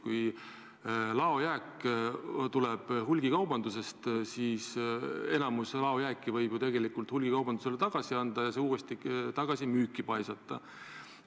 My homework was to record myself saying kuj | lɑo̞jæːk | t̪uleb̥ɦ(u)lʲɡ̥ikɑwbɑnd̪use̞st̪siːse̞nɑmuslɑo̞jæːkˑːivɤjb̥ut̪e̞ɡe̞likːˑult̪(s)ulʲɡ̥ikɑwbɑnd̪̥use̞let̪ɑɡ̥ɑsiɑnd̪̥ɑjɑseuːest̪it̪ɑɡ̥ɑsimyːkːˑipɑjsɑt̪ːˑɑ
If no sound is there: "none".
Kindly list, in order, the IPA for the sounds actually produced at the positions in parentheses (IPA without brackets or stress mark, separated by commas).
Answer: u, h